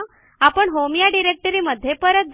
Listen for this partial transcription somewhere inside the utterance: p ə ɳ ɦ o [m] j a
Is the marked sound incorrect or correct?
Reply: correct